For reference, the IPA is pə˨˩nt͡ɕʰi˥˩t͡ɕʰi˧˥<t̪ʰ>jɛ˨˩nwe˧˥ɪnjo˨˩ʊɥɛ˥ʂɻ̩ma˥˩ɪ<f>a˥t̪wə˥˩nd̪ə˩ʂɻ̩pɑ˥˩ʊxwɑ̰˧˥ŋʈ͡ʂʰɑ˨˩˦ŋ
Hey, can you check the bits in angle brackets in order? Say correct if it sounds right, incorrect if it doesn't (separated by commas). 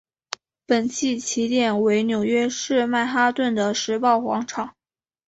incorrect, incorrect